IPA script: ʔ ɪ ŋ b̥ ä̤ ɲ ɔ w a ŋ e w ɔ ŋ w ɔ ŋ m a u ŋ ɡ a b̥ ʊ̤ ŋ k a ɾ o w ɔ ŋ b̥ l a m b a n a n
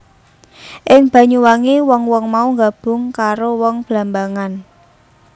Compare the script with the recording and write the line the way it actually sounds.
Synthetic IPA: ʔ ɪ ŋ b̥ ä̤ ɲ u w a ŋ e w ɔ ŋ w ɔ ŋ m a u ŋ ɡ a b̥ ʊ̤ ŋ k a ɾ o w ɔ ŋ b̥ l a m b a ŋ a n